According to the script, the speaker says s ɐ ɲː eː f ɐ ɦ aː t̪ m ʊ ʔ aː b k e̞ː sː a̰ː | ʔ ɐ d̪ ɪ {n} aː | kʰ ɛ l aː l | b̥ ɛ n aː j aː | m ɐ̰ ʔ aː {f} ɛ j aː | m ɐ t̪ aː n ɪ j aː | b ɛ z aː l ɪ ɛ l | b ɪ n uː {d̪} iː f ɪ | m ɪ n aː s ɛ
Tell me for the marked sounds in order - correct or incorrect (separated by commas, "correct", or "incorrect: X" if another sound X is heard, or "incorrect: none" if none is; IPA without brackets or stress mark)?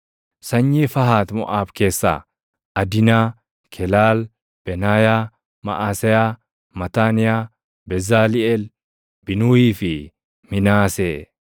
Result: correct, incorrect: s, incorrect: none